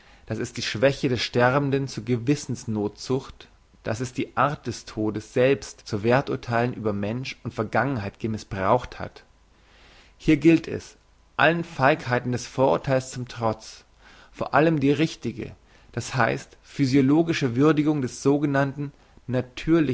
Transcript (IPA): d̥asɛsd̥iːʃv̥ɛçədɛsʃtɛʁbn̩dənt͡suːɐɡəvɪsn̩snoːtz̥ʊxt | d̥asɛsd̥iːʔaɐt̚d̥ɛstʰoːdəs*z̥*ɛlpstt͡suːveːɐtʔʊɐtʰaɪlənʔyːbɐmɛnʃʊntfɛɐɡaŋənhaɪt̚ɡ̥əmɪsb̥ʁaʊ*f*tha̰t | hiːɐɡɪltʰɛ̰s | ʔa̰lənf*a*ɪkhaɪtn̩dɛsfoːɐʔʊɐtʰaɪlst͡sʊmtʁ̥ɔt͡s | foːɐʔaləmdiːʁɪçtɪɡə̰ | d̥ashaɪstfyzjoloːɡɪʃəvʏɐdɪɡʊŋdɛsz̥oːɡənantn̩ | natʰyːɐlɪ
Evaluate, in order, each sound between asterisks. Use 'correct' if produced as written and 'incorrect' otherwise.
correct, incorrect: x, correct

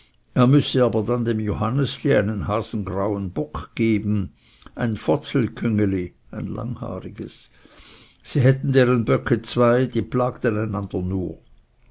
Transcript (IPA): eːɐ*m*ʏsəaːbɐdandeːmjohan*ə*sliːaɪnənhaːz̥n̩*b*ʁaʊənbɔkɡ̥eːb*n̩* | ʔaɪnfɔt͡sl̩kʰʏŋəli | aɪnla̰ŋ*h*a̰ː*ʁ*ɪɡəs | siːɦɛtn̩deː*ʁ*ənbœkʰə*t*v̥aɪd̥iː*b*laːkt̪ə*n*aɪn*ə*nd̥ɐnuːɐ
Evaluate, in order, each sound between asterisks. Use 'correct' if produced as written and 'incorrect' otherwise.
correct, correct, incorrect: ɡ, correct, correct, correct, correct, incorrect: t͡s, incorrect: p, correct, incorrect: a

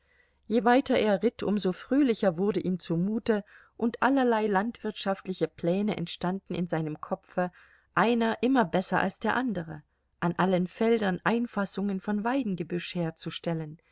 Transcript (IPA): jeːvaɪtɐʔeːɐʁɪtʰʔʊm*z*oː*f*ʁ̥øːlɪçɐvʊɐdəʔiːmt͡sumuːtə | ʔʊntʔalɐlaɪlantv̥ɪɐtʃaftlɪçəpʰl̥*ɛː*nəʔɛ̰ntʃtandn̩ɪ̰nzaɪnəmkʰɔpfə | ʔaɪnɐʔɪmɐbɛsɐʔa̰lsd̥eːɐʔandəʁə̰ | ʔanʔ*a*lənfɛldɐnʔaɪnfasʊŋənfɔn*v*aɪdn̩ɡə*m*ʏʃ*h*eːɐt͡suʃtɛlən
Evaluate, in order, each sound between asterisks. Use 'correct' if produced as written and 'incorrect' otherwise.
correct, correct, correct, correct, correct, incorrect: b, correct

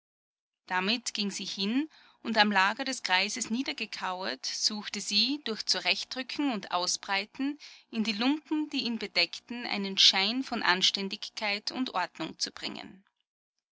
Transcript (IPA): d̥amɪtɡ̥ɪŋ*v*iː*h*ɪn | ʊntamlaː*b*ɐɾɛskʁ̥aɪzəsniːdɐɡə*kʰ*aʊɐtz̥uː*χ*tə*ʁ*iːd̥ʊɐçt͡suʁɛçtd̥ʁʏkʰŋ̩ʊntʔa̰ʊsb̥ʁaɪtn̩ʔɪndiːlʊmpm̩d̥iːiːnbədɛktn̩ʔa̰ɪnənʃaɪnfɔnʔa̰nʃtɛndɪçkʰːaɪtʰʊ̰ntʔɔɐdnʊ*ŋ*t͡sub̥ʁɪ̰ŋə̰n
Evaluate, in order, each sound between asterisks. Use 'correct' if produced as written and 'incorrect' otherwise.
incorrect: z, correct, incorrect: ɡ, correct, incorrect: x, incorrect: z, correct

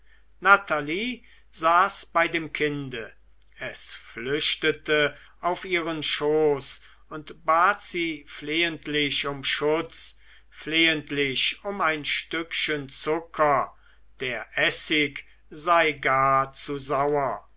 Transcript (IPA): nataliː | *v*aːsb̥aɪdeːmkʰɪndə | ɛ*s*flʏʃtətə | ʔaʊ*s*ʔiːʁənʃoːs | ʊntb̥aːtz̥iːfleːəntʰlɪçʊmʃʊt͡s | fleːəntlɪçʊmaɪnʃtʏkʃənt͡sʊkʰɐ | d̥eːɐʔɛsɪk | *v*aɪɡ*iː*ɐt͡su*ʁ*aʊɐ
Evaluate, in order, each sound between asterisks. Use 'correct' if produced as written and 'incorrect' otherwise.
incorrect: z, correct, incorrect: f, incorrect: z, incorrect: aː, incorrect: z

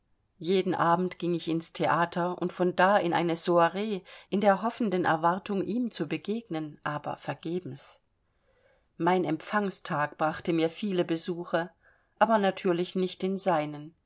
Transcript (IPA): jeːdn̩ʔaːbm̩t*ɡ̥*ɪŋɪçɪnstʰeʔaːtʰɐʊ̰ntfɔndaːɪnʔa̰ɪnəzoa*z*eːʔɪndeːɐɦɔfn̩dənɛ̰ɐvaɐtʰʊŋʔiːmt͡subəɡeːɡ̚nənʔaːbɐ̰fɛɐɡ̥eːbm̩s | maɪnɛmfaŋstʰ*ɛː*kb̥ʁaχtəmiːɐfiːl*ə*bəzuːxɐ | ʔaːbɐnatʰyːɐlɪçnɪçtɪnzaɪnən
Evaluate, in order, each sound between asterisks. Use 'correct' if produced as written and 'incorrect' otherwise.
correct, incorrect: ʁ, incorrect: aː, correct

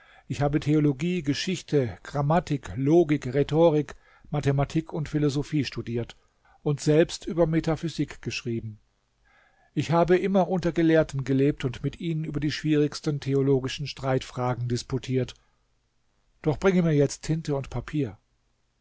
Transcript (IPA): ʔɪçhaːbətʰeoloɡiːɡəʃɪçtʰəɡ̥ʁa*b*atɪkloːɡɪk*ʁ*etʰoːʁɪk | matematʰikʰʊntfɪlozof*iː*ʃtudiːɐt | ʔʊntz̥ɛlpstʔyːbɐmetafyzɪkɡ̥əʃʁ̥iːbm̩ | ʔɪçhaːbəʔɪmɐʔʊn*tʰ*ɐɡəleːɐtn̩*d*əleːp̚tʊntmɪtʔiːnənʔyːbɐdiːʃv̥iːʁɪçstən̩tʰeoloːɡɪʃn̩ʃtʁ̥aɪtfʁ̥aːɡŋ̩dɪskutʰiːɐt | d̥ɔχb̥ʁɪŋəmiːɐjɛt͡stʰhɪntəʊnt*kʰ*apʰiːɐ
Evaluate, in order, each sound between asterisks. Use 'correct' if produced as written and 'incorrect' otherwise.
incorrect: m, correct, correct, incorrect: t, incorrect: ɡ, incorrect: pʰ

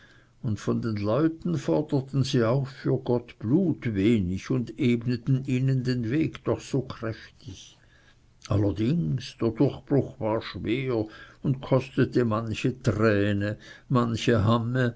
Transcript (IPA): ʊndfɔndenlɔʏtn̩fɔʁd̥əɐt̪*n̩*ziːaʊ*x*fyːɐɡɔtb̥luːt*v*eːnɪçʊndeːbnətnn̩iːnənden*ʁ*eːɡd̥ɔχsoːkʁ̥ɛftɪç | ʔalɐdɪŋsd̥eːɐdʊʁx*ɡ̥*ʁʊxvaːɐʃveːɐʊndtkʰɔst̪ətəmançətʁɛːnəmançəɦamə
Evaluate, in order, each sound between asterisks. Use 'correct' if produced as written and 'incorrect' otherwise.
correct, correct, correct, incorrect: v, incorrect: b̥

